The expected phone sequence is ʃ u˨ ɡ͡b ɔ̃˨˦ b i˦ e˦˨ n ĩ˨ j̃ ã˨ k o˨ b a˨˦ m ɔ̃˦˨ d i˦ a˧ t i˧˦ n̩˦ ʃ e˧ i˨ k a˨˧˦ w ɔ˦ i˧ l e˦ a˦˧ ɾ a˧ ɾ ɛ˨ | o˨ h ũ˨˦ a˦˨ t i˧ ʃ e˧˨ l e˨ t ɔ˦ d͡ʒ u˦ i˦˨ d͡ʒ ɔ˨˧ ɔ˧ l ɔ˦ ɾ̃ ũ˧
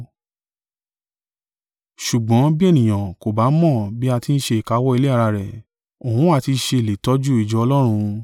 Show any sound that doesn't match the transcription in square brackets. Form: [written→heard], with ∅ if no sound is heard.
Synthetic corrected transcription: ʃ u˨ ɡ͡b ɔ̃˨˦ b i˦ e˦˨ n ĩ˨ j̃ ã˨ k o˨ b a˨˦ m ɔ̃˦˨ [d→b] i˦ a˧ t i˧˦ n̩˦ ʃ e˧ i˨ k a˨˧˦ w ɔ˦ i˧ l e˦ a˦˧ ɾ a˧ ɾ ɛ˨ | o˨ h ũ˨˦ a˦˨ t i˧ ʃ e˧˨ l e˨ t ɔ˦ d͡ʒ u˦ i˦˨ d͡ʒ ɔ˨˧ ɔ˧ l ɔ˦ ɾ̃ ũ˧